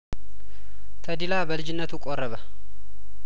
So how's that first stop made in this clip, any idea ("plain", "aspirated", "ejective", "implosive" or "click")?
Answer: aspirated